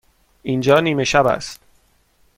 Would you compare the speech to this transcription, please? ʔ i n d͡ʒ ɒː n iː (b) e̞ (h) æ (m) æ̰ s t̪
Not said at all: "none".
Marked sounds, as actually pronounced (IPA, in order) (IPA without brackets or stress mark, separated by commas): m, ʃ, b